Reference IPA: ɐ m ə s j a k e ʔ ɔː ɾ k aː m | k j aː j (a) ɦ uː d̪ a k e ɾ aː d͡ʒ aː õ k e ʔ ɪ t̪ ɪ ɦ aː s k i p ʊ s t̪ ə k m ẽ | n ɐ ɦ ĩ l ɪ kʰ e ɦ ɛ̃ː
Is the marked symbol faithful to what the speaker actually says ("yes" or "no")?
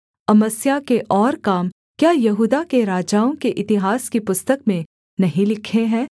no